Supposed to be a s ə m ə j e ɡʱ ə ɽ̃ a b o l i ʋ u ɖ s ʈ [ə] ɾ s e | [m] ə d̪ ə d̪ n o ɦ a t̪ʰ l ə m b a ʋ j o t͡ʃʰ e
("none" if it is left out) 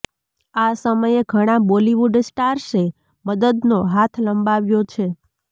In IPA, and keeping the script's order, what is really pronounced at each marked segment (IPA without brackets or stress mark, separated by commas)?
a, m